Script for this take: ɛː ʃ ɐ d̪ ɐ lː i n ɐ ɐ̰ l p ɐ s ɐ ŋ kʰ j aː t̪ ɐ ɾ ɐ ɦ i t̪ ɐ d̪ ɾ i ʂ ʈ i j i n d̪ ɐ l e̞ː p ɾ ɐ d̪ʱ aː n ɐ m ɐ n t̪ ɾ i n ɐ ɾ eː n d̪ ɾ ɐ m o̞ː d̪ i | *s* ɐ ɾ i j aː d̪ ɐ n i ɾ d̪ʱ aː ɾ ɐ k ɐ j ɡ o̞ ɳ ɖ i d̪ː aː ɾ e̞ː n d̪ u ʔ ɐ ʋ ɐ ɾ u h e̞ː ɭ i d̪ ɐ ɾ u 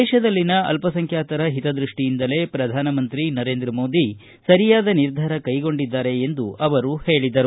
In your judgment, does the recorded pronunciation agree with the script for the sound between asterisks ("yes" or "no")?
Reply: yes